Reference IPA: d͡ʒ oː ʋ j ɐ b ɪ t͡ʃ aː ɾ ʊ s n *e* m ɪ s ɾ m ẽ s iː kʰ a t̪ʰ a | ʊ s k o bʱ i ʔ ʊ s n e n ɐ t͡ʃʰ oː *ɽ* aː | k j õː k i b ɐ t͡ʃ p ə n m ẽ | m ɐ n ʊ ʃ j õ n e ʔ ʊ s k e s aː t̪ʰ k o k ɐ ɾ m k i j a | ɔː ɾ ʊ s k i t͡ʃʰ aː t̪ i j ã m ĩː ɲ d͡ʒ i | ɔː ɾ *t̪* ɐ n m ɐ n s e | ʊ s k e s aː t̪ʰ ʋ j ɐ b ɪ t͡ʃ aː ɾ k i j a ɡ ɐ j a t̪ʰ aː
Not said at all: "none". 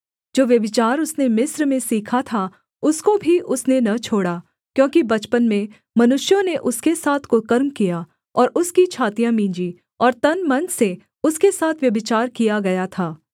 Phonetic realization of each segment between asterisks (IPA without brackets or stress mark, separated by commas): e, ɽ, t̪